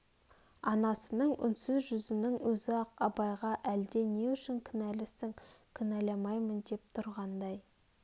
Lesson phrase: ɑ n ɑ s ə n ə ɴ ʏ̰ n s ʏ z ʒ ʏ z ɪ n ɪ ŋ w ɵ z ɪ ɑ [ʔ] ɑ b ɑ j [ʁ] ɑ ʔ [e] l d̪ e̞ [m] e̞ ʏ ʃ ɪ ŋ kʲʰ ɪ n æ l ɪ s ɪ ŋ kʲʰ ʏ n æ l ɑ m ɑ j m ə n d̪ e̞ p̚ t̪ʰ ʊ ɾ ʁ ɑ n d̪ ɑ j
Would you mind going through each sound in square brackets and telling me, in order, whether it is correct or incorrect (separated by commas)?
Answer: incorrect, correct, incorrect, incorrect